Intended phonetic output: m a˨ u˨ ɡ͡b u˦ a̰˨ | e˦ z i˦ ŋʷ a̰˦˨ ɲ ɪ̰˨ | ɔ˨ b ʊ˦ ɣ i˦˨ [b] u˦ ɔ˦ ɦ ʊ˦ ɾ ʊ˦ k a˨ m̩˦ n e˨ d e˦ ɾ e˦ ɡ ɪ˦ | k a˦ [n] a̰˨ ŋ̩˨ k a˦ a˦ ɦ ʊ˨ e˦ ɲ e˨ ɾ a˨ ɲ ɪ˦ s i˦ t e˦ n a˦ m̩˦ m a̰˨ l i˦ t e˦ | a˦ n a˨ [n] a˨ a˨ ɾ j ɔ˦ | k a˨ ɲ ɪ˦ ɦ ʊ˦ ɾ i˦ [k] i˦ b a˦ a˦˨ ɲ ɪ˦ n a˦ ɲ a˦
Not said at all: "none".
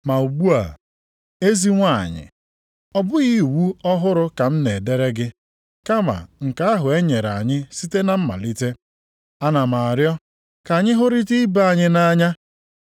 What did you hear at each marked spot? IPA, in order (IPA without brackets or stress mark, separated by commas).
w, m, m, t